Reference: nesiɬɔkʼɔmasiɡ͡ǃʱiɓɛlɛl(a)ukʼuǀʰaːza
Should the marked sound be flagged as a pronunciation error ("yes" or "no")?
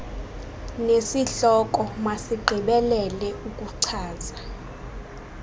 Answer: yes